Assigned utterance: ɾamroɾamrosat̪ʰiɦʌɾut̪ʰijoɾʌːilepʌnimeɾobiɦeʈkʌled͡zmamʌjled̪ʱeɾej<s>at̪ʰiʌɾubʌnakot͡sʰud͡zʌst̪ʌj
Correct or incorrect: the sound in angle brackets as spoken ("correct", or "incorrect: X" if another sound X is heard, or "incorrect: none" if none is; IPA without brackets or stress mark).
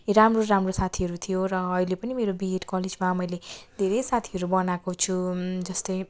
correct